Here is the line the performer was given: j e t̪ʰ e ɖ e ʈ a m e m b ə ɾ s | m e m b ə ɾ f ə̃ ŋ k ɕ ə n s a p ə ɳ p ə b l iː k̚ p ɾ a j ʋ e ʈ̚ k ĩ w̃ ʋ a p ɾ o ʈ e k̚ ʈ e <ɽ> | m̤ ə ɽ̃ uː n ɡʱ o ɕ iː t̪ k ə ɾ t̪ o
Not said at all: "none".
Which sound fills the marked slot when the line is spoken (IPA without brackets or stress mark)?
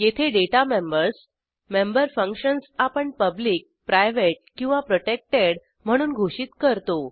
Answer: ɽ